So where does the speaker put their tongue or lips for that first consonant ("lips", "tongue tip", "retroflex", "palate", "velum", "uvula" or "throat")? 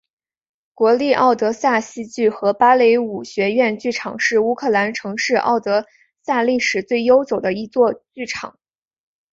velum